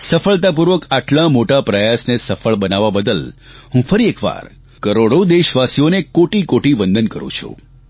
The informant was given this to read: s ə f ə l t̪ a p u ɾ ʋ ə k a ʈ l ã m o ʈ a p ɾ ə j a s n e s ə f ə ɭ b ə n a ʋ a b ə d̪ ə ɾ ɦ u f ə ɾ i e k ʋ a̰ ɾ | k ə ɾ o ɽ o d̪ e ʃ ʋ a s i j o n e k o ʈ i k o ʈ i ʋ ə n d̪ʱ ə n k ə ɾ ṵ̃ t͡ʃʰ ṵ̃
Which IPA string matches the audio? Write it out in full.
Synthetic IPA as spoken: s ə f ə ɭ t̪ a p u ɾ ʋ ə k a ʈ l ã m o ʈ a p ɾ ə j a s n e s ə f ə ɭ b ə n a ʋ a b ə d̪ ə l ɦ ũ f ə ɾ i e k ʋ a̰ ɾ | k ə ɾ o ɽ o d̪ e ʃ ʋ a s i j o n e k o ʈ i k o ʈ i ʋ ə n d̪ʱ ə n k ə ɾ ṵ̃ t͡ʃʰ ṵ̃